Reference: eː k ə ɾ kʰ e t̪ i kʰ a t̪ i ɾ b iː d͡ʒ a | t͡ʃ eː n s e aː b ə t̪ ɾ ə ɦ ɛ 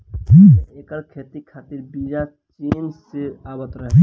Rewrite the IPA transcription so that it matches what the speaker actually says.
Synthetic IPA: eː k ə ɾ kʰ e t̪ i kʰ a t̪ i ɾ b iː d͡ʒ a | t͡ʃ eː n s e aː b ə t̪ ɾ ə ɦ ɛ